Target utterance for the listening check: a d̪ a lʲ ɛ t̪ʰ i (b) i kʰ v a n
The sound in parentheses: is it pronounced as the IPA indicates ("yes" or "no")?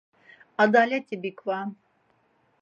yes